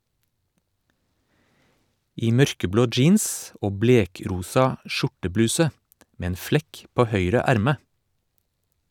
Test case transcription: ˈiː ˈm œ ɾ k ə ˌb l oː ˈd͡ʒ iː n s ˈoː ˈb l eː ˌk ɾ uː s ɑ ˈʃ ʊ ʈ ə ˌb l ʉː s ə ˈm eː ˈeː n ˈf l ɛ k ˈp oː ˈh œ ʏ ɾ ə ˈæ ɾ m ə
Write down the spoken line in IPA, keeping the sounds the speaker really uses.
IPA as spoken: ˈiː ˈm œ ɾ k ə ˌb l oː ˈd͡ʒ iː n s ˈoː ˈb l eː ˌk ɾ uː s ɑ ˈʃ ʊ ʈ ə ˌb l ʉː s ə ˈm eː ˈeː n ˈf l ɛ k ˈp oː ˈh œ ʏ ɾ ə ˈæ ɾ m ə

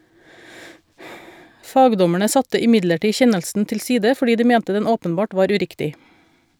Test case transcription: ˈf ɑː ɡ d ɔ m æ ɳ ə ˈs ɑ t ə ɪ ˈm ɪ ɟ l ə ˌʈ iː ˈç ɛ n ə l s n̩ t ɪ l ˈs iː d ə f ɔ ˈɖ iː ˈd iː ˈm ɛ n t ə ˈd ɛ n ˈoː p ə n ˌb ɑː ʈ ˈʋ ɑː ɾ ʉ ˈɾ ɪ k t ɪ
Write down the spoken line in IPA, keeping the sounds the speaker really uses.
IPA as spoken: ˈf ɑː ɡ d ɔ m æ ɳ ə ˈs ɑ t ə ɪ ˈm ɪ ɟ l ə ˌʈ iː ˈç ɛ n ə l s n̩ t ɪ l ˈs iː d ə f ɔ ˈɖ iː ˈd iː ˈm ɛ n t ə ˈd ɛ n ˈoː p ə n ˌb ɑː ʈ ˈʋ ɑː ɾ ʉ ˈɾ ɪ k t ɪ

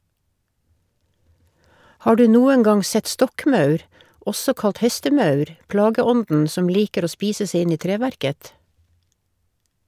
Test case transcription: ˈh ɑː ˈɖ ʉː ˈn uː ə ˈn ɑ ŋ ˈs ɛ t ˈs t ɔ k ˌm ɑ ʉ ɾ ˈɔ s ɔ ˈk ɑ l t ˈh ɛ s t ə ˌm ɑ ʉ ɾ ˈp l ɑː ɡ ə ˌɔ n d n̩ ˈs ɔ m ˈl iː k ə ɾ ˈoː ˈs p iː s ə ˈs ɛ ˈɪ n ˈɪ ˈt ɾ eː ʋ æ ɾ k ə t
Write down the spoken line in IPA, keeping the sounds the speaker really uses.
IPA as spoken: ˈh ɑː ˈɖ ʉː ˈn uː ə ˈŋ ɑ ŋ ˈs ɛ t ˈs t ɔ k ˌm ɑ ʉ ɾ ˈɔ s ɔ ˈk ɑ l t ˈh ɛ s t ə ˌm ɑ ʉ ɾ ˈp l ɑː ɡ ə ˌɔ n d n̩ ˈs ɔ m ˈl iː k ə ɾ ˈoː ˈs p iː s ə ˈs ɛ ˈɪ n ˈɪ ˈt ɾ eː ʋ æ ɾ k ə t

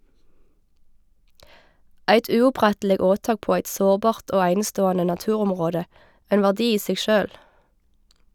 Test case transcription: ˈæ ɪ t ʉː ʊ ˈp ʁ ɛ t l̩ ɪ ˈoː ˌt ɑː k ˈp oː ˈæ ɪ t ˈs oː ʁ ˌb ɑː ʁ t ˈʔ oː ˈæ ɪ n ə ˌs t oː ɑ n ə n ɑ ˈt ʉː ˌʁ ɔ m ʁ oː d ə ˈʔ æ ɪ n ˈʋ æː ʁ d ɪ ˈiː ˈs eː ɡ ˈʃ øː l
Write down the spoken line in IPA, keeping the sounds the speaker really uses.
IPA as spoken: ˈæ ɪ t ʉː ʊ ˈp ʁ ɛ t l̩ ɪ ˈoː ˌt ɑː k ˈp oː ˈæ ɪ t ˈs oː ʁ ˌb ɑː ʁ t ˈʔ oː ˈæ ɪ n ə ˌs t oː ɑ n ə n ɑ ˈt ʉː ˌʁ ɔ m ʁ oː d ə ˈʔ æ ɪ n ˈʋ æː ʁ d ɪ ˈiː ˈs eː ɡ ˈʃ øː l

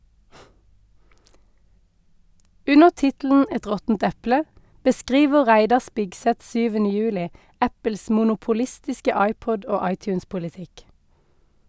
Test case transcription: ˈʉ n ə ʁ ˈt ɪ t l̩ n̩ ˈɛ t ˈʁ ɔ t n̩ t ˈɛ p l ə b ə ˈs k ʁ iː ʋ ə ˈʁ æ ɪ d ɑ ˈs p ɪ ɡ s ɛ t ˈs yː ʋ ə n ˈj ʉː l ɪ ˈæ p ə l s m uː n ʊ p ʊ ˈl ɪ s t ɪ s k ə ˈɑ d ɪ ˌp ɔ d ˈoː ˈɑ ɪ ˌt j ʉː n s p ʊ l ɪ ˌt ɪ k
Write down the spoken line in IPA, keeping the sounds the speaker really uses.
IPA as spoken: ˈʉ n ə ʁ ˈt ɪ t l̩ n̩ ˈɛ t ˈʁ ɔ t n̩ t ˈɛ p l ə b ə ˈs k ʁ iː ʋ ə ˈʁ æ ɪ d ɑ ˈs p ɪ ɡ s ɛ t ˈs yː ʋ ə n ˈj ʉː l ɪ ˈæ p ə l s m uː n ʊ p ʊ ˈl ɪ s t ɪ s k ə ˈɑ ɪ ˌp ɔ d ˈoː ˈɑ ɪ ˌt j ʉː n s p ʊ l ɪ ˌt ɪ k

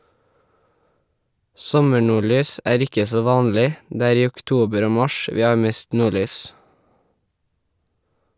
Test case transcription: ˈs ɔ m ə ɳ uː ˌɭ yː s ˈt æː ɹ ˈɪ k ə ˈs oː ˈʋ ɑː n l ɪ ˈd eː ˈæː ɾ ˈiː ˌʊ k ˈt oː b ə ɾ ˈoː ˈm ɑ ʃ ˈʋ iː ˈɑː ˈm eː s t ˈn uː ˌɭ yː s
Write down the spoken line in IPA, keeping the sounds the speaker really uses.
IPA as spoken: ˈs ɔ m ə ɳ uː ˌɭ yː s ˈʔ æː ɹ ˈɪ k ə ˈs oː ˈʋ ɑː n l ɪ ˈd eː ˈæː ɾ ˈiː ˌʊ k ˈt uː b ə ɾ ˈoː ˈm ɑ ʃ ˈʋ iː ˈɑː ˈm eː s t ˈn uː ˌɭ yː s

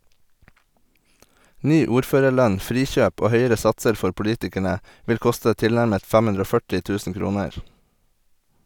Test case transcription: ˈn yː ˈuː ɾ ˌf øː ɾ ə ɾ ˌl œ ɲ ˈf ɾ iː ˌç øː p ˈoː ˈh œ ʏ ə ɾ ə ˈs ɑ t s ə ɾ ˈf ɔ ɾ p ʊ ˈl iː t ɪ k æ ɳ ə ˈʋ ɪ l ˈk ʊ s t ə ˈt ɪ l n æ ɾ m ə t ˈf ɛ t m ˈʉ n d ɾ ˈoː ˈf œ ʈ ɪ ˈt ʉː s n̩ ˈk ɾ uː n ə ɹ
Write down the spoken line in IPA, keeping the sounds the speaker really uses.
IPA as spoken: ˈn yː ˈuː ɾ ˌf øː ɾ ə ɾ ˌl œ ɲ ˈf ɾ iː ˌç øː p ˈoː ˈh œ ʏ ə ɾ ə ˈs ɑ t s ə ɾ ˈf ɔ ɾ p ʊ ˈl iː t ɪ k æ ɳ ə ˈʋ ɪ l ˈk ʊ s t ə ˈt ɪ l n æ ɾ m ə t ˈf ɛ m ˈʉ n d ɾ ˈoː ˈf œ ʈ ɪ ˈt ʉː s n̩ ˈk ɾ uː n ə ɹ

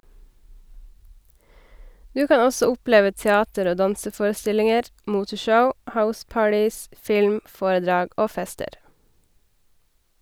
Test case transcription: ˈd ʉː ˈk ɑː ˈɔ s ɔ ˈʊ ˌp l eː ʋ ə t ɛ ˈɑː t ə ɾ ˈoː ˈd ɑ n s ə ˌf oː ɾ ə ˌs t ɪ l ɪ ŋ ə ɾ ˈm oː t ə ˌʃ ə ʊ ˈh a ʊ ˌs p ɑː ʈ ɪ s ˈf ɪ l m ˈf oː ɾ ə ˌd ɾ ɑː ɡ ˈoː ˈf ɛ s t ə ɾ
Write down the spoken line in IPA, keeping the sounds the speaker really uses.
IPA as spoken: ˈd ʉː ˈk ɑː ˈɔ s ɔ ˈʊ ˌp l eː ʋ ə t ɛ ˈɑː t ə ɾ ˈoː ˈd ɑ n s ə ˌf oː ɾ ə ˌs t ɪ l ɪ ŋ ə ɾ ˈm uː t ə ˌʃ ə ʊ ˈh a ʊ ˌs p ɑː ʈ ɪ s ˈf ɪ l m ˈf oː ɾ ə ˌd ɾ ɑː ɡ ˈoː ˈf ɛ s t ə ɾ

